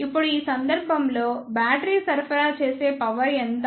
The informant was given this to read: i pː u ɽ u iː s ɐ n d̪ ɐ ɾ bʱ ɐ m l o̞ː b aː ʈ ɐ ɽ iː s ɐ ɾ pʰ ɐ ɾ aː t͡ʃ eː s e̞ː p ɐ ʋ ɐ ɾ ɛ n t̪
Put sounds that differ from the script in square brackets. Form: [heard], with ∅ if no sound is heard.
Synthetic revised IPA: i pː u ɽ u iː s ɐ n d̪ ɐ ɾ bʱ ɐ m l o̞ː b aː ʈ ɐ [ɾ] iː s ɐ ɾ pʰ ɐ ɾ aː t͡ʃ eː s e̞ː p ɐ ʋ ɐ ɾ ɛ n t̪